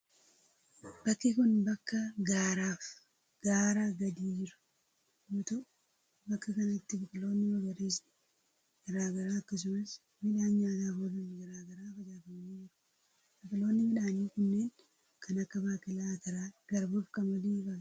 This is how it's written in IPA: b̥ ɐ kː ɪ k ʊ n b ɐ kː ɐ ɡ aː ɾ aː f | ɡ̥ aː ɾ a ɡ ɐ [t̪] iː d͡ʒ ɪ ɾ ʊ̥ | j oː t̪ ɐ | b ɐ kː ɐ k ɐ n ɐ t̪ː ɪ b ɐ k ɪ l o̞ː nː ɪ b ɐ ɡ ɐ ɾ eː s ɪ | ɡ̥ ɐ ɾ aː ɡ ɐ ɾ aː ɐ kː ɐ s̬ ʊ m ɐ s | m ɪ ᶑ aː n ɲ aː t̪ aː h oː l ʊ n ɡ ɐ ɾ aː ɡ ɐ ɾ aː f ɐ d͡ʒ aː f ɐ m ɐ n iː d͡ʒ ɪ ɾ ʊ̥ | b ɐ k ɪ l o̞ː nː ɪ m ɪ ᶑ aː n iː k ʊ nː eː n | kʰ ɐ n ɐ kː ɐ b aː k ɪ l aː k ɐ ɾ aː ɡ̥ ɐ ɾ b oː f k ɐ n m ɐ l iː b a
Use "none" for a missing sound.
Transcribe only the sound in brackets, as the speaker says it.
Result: d̪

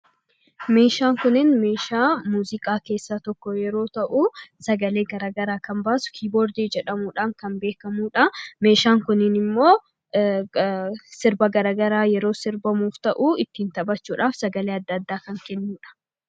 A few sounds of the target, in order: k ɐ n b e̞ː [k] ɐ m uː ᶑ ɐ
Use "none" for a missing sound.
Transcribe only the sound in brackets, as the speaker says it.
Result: k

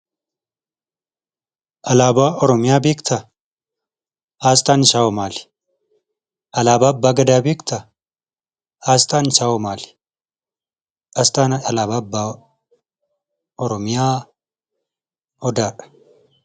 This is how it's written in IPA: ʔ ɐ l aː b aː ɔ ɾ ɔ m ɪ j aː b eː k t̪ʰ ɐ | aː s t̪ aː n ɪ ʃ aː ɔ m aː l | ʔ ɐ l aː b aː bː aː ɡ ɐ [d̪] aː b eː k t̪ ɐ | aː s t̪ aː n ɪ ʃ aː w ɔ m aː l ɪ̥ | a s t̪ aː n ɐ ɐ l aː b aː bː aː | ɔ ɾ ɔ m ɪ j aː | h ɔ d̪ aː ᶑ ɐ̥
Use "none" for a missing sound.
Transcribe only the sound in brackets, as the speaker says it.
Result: d̪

